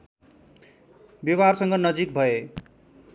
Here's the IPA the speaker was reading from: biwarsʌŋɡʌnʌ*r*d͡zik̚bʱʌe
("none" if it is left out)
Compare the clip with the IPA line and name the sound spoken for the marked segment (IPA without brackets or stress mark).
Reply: none